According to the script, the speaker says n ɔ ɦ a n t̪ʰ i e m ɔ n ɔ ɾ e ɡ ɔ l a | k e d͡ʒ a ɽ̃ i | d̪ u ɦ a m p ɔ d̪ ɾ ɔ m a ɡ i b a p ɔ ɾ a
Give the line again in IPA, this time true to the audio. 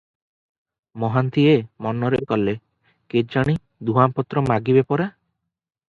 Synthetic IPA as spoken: m ɔ ɦ a n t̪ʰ i e m ɔ n ɔ ɾ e k ɔ l e | k e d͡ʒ a ɽ̃ i | d̪ u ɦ a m p ɔ t̪ ɾ ɔ m a ɡ i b e p ɔ ɾ a